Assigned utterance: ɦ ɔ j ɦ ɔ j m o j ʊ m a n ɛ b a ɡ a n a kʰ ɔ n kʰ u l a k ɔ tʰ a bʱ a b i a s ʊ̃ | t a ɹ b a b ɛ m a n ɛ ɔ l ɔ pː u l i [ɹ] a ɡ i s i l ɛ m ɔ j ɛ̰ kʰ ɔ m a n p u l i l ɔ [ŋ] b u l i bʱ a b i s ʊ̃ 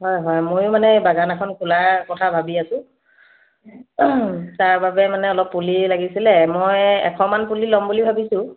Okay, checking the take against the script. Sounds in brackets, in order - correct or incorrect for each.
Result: incorrect, incorrect

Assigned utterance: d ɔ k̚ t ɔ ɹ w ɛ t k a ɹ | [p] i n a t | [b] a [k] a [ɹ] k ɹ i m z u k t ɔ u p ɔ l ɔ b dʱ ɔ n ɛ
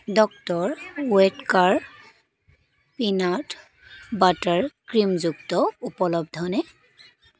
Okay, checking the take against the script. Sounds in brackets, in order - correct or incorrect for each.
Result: correct, correct, incorrect, correct

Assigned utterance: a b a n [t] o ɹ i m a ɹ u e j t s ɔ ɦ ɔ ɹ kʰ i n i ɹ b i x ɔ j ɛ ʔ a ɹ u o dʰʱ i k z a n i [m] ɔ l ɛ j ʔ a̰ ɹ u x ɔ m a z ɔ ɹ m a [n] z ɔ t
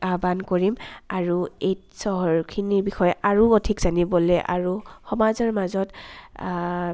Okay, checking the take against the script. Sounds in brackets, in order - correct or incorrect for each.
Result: incorrect, incorrect, incorrect

